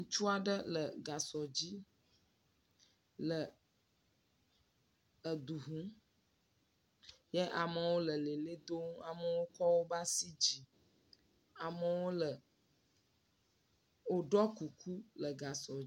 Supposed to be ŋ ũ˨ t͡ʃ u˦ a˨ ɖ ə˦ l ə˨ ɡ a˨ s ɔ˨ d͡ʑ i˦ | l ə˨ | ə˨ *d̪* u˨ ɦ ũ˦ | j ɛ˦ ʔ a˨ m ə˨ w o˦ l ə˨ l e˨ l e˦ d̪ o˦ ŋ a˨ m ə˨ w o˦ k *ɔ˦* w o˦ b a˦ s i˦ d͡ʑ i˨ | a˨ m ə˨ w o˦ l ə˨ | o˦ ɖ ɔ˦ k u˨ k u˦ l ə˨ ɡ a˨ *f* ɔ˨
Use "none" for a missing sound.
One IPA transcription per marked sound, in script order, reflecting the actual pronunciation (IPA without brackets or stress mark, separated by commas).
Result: d̪, ɔ˦, s